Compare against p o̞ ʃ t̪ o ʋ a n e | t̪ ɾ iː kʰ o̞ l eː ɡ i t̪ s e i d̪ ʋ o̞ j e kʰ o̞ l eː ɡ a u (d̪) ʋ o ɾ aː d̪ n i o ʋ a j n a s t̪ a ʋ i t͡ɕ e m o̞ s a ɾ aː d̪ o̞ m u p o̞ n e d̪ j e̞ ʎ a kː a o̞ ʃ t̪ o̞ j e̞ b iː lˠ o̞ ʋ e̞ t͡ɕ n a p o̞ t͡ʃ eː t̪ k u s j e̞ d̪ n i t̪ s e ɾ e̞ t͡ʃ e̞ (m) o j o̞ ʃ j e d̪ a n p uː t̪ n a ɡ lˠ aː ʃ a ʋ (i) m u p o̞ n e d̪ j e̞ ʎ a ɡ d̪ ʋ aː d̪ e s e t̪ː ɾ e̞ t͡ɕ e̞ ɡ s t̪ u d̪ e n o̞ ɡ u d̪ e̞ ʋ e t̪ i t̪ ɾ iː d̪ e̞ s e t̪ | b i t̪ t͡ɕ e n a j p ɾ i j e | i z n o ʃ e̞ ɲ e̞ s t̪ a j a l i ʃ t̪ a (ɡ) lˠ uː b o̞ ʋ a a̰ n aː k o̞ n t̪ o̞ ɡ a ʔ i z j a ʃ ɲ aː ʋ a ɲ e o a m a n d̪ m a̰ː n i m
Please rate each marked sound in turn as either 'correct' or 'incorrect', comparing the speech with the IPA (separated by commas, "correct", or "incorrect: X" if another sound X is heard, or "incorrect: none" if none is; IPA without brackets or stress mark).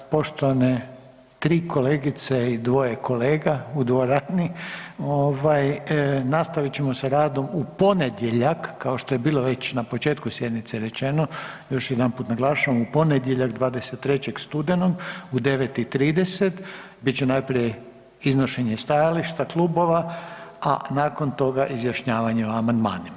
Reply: correct, incorrect: n, incorrect: a, incorrect: k